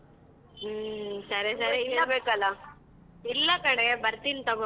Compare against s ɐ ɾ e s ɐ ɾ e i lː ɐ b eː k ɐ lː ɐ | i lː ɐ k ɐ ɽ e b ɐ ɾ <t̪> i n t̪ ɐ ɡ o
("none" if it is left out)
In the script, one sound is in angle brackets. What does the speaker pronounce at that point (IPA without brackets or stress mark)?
t̪